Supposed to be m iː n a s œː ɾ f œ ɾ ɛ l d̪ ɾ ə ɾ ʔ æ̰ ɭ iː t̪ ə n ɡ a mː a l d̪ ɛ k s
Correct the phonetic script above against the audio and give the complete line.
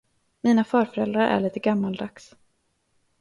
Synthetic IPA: m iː n a f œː ɾ f œ ɾ ɛ l d̪ ɾ a ɾ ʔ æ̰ ɭ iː t̪ ə ɡ a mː a l d̪ a k s